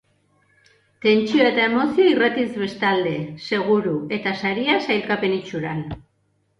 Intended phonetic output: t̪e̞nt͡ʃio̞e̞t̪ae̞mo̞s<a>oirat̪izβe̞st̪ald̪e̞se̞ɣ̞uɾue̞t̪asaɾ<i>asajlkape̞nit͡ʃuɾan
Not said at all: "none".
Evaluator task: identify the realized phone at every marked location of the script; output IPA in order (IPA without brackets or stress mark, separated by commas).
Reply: i, i